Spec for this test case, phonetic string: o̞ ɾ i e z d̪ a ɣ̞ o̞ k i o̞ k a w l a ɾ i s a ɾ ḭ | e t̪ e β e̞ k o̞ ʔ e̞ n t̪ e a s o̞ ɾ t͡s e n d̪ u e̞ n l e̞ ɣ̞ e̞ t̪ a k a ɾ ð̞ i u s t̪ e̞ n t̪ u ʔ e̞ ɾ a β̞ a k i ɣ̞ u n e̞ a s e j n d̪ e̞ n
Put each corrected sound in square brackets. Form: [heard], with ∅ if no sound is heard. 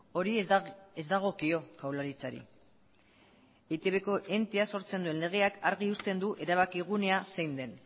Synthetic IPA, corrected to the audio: o̞ ɾ i e z d̪ a ɣ̞ o̞ k i o̞ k a w l a ɾ i [t͡s] a ɾ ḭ | e t̪ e β e̞ k o̞ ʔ e̞ n t̪ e a s o̞ ɾ t͡s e n d̪ u e̞ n l e̞ ɣ̞ e̞ [∅] a k a ɾ [ɣ̞] i u s t̪ e̞ n [d̪] u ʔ e̞ ɾ a β̞ a k i ɣ̞ u n e̞ a s e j n d̪ e̞ n